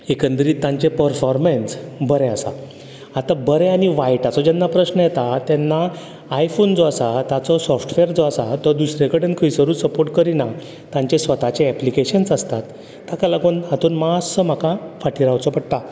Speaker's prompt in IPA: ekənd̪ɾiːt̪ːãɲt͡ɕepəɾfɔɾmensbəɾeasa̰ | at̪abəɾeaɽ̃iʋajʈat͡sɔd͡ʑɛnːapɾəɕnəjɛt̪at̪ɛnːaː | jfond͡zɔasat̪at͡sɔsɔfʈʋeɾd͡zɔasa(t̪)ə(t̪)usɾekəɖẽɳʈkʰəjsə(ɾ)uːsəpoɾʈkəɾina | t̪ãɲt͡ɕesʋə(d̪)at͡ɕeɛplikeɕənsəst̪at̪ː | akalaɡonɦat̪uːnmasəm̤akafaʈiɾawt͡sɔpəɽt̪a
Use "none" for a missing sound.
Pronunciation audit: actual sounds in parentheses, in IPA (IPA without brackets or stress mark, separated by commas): t̪, d̪, ɾ, t̪